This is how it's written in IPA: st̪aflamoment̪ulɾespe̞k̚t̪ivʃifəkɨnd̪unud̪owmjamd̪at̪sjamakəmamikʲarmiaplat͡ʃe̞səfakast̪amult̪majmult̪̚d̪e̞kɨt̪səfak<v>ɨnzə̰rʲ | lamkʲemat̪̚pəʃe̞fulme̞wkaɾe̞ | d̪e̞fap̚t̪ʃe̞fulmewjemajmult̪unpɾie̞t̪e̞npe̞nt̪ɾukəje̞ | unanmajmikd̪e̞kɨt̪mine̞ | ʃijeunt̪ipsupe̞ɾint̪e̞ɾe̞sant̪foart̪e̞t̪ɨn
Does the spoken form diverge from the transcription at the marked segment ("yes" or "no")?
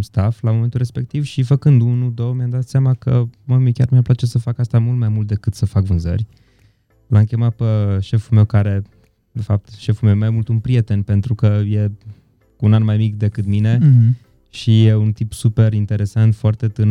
no